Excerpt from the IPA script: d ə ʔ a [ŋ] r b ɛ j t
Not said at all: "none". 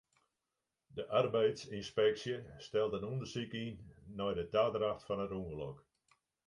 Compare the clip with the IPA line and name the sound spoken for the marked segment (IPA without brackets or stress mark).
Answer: none